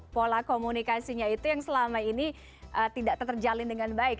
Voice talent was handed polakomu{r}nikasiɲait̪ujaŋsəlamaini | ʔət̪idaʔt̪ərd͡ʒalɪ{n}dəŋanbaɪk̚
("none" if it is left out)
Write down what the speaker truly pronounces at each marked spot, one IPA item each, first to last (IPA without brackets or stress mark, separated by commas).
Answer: none, n